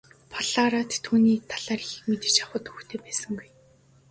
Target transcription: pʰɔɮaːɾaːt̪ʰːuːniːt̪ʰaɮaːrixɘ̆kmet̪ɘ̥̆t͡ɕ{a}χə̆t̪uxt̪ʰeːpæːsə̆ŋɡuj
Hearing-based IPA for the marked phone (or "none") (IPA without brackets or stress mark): a